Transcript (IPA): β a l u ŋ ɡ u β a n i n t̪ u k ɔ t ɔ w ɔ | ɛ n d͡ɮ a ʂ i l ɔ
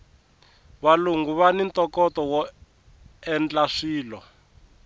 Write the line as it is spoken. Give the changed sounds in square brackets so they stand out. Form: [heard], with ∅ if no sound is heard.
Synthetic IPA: β a l u ŋ ɡ u β a n i n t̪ [ɔ] k ɔ t ɔ w ɔ | ɛ n d͡ɮ a ʂ [iː] l ɔ